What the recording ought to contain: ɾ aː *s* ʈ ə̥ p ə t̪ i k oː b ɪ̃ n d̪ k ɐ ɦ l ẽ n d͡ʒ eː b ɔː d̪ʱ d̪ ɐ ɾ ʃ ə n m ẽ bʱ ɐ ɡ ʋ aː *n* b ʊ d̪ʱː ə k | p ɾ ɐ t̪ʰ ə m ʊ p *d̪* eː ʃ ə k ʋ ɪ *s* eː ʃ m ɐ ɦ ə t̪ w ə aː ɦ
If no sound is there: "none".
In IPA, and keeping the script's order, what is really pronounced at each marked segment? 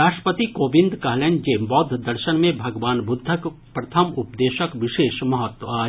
ʃ, n, d̪, ʃ

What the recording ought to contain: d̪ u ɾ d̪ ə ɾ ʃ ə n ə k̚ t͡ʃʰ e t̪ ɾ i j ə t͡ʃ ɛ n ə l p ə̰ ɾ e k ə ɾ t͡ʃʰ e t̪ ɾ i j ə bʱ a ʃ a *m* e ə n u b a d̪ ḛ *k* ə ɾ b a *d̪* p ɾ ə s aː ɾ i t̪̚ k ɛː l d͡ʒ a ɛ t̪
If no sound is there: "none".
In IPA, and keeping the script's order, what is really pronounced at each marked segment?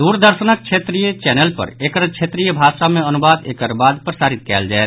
m, k, d̪

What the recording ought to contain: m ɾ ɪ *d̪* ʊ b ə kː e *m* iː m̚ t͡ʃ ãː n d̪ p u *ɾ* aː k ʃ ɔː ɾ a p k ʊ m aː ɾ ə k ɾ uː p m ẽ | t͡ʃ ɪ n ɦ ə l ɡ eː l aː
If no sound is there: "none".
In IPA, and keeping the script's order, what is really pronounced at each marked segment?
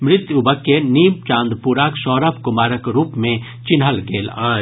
t̪, n, ɾ

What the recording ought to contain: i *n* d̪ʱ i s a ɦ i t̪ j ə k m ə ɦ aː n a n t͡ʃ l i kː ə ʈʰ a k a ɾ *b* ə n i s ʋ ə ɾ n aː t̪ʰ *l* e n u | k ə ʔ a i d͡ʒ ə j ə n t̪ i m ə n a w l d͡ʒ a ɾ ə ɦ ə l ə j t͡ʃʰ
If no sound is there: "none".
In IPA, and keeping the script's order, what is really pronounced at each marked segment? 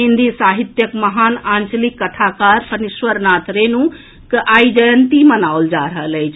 n, p, ɾ

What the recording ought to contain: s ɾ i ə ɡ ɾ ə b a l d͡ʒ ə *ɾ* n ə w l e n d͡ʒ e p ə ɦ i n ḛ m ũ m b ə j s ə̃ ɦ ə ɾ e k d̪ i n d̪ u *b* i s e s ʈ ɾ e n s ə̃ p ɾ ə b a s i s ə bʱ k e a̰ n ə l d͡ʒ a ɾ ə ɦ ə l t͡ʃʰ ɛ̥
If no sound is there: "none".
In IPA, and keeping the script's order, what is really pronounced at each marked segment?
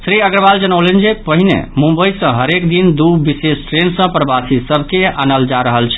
none, b

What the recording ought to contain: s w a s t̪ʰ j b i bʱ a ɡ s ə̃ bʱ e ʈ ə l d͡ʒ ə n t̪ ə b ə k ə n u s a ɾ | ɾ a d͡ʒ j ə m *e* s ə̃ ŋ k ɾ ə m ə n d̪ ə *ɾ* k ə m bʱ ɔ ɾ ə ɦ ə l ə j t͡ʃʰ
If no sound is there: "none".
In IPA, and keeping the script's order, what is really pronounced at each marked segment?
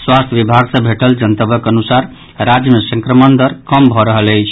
e, ɾ

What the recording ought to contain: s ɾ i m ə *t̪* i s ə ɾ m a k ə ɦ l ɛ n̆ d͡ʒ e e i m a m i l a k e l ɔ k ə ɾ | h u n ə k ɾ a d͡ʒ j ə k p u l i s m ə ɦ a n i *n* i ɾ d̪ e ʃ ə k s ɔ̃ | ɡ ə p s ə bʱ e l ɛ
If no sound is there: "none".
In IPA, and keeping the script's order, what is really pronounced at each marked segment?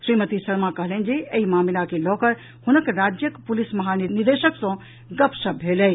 t̪, n

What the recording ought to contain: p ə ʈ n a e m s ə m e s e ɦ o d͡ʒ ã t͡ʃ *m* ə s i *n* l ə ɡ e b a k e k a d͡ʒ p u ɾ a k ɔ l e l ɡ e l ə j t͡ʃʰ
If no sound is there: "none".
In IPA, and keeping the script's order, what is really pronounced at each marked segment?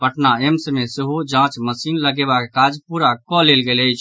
m, n

